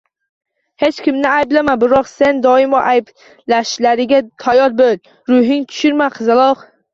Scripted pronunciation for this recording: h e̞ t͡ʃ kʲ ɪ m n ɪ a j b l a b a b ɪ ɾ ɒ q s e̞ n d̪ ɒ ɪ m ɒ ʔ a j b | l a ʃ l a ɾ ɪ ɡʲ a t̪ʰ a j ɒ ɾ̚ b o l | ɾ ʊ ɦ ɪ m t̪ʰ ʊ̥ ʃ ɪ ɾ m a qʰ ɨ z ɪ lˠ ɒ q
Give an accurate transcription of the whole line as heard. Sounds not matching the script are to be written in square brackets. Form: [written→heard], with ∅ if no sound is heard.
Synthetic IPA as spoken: h e̞ t͡ʃ kʲ ɪ m n ɪ a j b l a [b→m] a b ɪ ɾ ɒ q s e̞ n d̪ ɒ ɪ m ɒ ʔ a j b | l a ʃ l a ɾ ɪ ɡʲ a t̪ʰ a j ɒ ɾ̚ b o l | ɾ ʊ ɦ ɪ [m→ŋ] t̪ʰ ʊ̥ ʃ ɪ ɾ m a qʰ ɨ z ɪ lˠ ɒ q